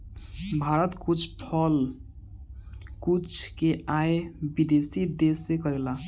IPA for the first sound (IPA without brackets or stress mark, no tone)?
bʱ